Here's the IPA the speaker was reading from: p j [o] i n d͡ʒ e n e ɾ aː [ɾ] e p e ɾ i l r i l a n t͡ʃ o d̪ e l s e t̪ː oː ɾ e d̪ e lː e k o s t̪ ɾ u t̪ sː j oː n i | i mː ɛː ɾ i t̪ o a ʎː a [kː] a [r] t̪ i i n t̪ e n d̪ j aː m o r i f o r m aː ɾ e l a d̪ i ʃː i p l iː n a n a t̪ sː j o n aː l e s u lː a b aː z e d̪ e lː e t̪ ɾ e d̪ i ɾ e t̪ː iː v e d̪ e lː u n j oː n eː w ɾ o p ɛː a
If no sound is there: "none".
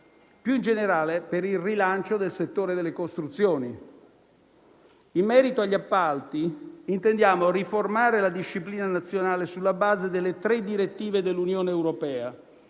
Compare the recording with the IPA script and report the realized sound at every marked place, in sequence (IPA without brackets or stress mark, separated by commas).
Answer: u, l, pː, l